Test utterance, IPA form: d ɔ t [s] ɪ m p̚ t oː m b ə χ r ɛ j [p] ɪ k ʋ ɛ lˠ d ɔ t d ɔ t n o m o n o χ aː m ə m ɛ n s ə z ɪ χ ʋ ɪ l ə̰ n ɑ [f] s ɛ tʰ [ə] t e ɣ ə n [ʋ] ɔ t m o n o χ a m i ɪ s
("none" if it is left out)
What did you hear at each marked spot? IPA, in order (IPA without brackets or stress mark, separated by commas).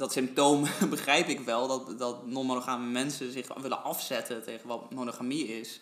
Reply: s, p, f, ə, ʋ